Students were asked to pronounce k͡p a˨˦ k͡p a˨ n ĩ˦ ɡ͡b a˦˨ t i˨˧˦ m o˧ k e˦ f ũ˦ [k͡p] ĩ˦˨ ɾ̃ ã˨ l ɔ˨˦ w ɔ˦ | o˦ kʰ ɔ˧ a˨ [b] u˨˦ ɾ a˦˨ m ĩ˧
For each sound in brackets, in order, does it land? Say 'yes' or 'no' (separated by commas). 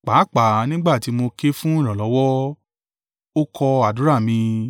no, no